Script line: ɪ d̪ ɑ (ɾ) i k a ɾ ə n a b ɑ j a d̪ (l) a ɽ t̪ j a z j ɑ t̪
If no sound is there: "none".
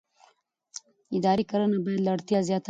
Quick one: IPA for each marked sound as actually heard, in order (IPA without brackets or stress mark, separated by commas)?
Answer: ɾ, l